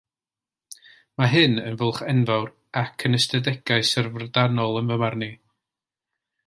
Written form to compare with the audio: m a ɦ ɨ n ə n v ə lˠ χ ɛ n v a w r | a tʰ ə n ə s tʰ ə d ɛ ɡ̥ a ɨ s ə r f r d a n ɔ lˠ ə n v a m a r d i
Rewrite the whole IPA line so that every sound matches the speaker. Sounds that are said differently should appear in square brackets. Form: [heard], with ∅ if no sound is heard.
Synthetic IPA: m a ɦ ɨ n ə n v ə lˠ χ ɛ n v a w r | a [kʰ] ə n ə s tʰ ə d ɛ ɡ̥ a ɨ s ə r [v] r d a n ɔ lˠ ə n v [ə] m a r [n] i